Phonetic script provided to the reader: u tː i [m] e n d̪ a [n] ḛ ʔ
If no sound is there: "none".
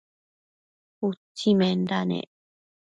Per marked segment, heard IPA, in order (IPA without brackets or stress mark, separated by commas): m, n